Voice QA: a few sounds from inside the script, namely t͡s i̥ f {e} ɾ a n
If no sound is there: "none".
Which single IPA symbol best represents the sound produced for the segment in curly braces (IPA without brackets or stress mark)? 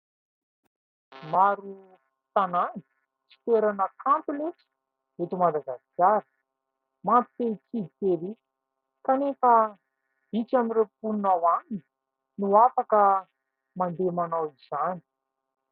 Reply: e